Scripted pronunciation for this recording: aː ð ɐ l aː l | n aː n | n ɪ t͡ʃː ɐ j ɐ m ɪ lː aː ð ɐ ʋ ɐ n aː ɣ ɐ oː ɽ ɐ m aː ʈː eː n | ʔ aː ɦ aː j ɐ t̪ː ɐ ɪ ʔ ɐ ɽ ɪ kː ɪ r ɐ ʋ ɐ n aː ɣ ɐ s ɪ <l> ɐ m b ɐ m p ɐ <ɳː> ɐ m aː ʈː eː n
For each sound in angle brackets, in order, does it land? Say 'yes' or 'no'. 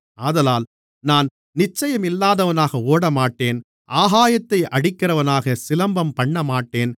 yes, yes

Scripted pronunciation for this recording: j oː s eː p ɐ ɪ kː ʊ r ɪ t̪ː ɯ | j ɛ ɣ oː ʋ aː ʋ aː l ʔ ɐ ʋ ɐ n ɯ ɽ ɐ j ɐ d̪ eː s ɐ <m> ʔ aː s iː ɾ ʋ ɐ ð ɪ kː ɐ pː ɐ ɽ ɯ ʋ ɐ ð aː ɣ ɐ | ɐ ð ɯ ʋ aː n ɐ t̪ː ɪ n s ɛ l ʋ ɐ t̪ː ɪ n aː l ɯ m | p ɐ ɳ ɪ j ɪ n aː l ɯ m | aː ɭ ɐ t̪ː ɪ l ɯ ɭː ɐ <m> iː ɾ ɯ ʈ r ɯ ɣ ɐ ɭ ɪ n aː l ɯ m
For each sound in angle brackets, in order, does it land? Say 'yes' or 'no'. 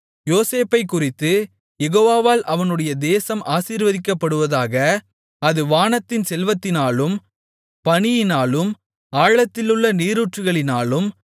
yes, no

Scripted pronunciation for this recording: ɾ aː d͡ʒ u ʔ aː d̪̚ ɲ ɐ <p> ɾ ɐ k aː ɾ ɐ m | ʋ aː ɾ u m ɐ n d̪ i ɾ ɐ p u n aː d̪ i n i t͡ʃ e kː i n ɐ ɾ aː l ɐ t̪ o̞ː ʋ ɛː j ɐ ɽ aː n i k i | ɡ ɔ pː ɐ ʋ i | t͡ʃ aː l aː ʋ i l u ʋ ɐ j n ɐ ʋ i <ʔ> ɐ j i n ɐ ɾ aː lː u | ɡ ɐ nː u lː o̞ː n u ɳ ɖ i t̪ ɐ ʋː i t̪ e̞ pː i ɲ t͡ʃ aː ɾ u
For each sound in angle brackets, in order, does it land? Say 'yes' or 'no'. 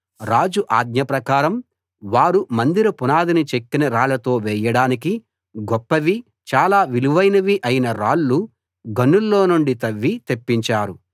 yes, yes

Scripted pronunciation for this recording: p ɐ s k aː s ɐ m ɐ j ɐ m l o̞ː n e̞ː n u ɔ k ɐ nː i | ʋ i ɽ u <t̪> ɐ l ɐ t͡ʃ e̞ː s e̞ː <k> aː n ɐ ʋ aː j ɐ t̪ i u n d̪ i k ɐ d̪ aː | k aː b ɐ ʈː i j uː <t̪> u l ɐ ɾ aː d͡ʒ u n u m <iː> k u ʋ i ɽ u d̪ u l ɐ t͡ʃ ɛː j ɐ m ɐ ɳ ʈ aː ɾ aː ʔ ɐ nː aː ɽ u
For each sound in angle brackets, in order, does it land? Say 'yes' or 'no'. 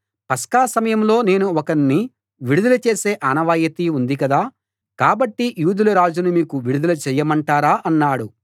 no, no, no, yes

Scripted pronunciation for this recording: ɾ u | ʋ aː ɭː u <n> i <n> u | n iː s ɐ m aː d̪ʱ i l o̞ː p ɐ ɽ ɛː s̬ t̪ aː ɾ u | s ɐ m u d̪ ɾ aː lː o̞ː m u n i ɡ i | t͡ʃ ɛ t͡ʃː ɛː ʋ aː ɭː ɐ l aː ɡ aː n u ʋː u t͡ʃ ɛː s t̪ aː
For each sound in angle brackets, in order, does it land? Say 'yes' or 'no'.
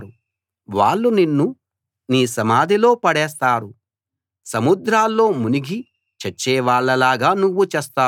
yes, no

